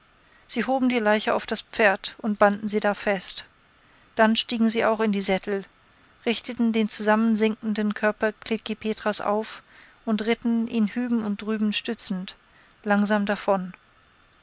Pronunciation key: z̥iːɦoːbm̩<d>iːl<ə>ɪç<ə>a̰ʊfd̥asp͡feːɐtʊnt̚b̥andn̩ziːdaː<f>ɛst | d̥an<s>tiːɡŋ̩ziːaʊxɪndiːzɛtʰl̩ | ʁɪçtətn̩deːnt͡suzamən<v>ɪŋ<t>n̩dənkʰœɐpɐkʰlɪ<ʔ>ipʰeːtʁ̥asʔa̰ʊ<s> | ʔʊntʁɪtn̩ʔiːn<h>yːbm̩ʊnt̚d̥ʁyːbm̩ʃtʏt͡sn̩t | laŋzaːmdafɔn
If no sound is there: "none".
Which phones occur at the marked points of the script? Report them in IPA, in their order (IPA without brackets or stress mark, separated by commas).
d, a, ə, f, ʃ, z, k, k, f, h